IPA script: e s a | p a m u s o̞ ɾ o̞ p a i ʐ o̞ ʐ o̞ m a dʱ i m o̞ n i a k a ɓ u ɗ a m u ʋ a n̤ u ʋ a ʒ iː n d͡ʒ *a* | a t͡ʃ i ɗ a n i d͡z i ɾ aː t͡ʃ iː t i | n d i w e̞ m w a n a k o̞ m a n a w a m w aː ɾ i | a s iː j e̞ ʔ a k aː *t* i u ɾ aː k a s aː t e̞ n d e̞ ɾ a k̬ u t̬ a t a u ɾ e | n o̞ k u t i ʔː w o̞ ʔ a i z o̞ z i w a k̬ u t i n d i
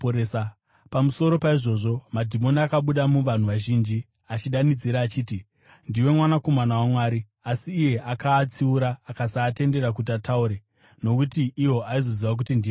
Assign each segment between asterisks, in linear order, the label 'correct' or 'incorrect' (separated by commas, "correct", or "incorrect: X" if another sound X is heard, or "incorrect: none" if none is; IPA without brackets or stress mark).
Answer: incorrect: i, incorrect: t͡s